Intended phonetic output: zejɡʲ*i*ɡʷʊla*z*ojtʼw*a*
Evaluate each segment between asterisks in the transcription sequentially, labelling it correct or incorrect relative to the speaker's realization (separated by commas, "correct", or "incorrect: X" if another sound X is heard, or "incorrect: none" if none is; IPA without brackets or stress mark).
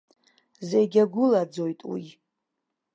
incorrect: a, incorrect: d͡z, incorrect: i